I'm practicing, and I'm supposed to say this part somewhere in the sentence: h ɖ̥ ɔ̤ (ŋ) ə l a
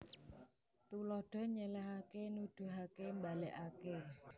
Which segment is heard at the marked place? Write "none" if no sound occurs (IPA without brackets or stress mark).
ɲ